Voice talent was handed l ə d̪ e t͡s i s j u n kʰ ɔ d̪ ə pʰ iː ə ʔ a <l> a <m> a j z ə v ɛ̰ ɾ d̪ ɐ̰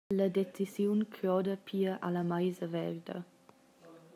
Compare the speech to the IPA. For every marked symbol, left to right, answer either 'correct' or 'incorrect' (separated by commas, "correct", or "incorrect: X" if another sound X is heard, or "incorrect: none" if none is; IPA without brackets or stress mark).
correct, correct